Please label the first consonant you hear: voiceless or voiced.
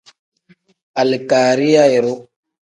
voiced